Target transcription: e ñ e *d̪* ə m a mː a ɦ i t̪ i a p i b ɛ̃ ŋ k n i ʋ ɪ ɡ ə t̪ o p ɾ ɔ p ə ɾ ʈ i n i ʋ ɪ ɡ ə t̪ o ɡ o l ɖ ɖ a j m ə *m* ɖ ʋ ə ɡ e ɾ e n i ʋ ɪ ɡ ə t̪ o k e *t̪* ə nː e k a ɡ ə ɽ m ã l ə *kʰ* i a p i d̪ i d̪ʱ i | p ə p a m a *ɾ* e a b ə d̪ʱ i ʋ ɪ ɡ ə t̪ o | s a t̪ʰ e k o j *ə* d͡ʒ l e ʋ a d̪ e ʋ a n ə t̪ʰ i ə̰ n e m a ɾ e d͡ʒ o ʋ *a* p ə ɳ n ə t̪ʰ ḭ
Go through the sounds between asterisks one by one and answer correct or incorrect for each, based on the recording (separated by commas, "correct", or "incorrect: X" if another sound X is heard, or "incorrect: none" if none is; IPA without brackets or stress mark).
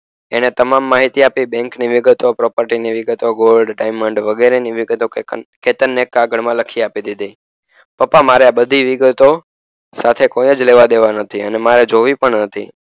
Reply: incorrect: t̪, incorrect: ɳ, correct, correct, correct, correct, incorrect: i